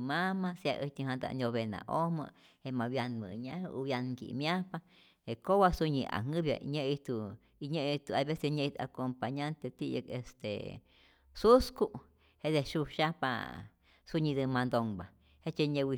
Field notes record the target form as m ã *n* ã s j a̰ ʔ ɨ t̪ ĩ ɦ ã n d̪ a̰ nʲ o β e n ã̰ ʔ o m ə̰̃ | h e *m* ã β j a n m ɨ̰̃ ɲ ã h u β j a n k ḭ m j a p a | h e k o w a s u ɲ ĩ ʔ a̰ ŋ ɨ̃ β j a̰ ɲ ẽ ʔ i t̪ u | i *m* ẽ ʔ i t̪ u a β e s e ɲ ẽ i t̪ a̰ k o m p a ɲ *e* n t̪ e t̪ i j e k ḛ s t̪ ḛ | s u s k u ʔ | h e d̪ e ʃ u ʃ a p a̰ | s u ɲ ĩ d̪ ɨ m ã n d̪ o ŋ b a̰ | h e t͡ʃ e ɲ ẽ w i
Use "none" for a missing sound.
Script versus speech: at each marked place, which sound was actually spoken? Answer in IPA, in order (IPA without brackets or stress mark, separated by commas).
m, m, ɲ, a